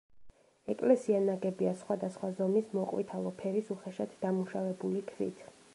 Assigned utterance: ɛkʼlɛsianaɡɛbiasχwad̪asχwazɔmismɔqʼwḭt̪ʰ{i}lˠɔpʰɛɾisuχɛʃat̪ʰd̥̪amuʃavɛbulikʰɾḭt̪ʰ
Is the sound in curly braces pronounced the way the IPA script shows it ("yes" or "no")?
no